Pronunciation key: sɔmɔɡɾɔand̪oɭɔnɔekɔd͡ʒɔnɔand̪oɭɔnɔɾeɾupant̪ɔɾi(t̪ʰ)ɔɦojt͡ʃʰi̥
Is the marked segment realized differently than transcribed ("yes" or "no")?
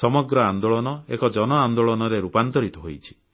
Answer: yes